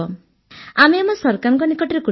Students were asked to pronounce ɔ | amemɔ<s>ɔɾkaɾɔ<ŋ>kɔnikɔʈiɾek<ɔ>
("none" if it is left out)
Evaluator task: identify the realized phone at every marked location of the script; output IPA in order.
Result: s, ŋ, u

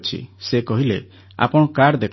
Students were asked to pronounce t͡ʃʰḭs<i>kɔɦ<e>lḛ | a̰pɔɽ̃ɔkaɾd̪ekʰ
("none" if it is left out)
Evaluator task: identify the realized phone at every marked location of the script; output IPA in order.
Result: e, i

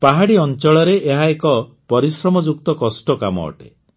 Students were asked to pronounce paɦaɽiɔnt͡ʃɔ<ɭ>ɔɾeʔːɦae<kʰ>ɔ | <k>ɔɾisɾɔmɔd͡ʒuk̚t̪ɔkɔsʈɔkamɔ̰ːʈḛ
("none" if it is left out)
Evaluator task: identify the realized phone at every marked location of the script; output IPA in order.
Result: ɭ, k, p

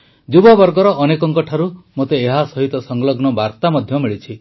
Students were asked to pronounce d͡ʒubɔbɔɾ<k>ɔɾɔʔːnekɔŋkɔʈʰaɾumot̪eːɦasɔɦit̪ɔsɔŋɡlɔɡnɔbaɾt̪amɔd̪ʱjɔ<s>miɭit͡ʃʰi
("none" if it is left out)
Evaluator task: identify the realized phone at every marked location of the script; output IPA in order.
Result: ɡ, none

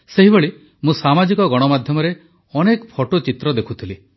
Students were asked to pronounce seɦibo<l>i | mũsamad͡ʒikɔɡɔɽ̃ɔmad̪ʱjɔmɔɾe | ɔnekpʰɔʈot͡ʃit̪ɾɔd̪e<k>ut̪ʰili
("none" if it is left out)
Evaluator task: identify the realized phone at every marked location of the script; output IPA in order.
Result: ɭ, kʰ

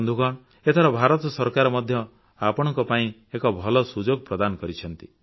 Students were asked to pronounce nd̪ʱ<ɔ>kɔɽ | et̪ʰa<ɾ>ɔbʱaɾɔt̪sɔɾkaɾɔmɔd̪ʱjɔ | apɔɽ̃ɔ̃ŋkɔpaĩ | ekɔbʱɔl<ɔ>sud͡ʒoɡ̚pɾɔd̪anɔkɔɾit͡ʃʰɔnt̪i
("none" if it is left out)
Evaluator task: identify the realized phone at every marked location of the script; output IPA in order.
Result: u, ɾ, ɔ

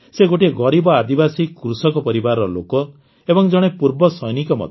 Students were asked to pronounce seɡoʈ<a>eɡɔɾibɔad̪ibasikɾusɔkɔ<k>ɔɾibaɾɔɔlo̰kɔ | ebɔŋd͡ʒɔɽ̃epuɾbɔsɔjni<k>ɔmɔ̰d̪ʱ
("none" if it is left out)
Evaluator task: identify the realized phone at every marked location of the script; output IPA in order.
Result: i, p, k

